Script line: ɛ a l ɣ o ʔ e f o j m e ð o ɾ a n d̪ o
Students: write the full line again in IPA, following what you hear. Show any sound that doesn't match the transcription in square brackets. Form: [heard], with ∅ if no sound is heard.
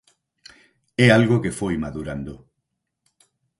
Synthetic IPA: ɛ a l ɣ o [k] e f o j m [a] ð [u] ɾ a n d̪ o